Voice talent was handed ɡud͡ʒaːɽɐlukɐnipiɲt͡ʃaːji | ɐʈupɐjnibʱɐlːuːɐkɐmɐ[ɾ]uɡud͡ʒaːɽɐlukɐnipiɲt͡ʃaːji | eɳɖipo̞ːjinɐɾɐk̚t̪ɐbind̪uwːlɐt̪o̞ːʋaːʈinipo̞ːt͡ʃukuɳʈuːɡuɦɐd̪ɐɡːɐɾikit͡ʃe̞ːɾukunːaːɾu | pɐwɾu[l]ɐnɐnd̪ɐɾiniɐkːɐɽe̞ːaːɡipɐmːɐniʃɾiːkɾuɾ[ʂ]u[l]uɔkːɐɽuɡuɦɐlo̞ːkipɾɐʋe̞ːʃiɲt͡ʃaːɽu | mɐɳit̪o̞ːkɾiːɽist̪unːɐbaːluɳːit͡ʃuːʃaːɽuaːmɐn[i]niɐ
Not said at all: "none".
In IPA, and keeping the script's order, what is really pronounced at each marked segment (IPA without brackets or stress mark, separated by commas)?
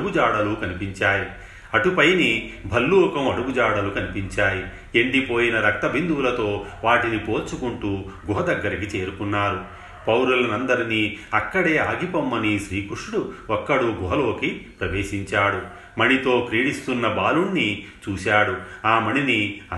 ɽ, l, ʂ, ɽ, i